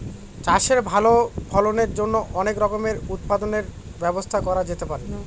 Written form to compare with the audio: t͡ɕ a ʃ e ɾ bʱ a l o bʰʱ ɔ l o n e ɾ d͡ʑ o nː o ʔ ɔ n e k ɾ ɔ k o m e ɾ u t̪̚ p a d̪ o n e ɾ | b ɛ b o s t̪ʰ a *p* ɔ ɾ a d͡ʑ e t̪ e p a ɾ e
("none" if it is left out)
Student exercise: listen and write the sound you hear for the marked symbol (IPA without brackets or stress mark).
k